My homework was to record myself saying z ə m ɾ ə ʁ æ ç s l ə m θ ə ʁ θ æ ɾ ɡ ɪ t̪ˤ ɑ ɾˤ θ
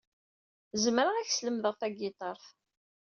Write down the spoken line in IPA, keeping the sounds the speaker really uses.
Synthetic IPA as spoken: z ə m ɾ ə ʁ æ ç s l ə m ð ə ʁ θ æ ɡ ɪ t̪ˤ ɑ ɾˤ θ